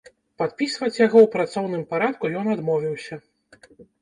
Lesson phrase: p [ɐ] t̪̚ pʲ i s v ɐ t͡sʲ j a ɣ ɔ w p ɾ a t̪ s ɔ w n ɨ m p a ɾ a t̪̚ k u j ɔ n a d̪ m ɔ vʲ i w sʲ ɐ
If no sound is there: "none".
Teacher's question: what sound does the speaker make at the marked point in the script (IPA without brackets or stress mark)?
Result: a